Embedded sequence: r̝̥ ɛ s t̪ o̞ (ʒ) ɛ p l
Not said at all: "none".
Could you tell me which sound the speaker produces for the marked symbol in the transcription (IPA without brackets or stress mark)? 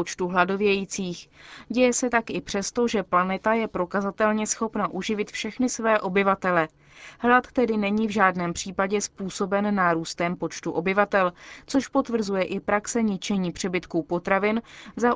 ʒ